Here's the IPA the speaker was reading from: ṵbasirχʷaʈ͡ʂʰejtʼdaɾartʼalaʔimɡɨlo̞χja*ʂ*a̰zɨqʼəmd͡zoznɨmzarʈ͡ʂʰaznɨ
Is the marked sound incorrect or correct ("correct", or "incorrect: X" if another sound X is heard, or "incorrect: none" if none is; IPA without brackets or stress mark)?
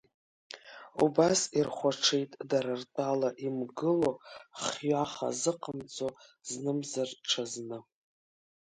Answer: incorrect: χ